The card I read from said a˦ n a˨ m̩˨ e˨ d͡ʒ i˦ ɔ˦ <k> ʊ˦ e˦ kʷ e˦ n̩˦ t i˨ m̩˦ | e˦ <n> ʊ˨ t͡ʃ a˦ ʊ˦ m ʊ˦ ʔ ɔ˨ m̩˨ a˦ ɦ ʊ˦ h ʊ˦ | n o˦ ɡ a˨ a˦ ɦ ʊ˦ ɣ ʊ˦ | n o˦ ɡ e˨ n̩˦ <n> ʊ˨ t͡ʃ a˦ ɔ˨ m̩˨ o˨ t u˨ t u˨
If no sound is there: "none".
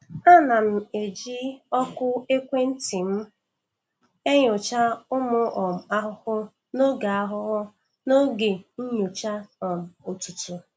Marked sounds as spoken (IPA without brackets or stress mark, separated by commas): k, ɲ, ɲ